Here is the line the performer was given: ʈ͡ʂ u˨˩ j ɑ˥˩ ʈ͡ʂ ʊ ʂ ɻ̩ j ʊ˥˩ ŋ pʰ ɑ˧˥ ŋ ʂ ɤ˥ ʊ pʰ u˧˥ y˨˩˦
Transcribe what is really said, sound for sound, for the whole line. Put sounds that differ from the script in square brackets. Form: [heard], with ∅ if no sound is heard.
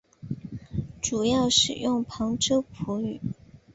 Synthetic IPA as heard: ʈ͡ʂ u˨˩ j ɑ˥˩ [∅] ʊ ʂ ɻ̩ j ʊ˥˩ ŋ pʰ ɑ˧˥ ŋ [ʈ͡ʂ] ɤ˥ ʊ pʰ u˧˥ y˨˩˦